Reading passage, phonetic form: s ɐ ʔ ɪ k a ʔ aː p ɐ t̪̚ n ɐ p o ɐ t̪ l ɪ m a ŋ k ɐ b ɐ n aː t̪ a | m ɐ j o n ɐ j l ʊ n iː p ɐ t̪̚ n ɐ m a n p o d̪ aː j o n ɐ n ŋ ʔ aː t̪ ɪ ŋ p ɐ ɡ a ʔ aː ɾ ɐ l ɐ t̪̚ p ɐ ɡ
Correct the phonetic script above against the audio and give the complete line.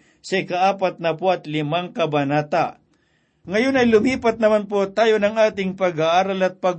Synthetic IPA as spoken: s ɐ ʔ ɪ k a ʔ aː p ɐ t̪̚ n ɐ p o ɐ t̪ l ɪ m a ŋ k ɐ b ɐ n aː t̪ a | ŋ ɐ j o n ɐ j l ʊ m iː p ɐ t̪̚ n ɐ m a n p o t̪ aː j o n ɐ ŋ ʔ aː t̪ ɪ ŋ p ɐ ɡ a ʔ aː ɾ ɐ l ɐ t̪̚ p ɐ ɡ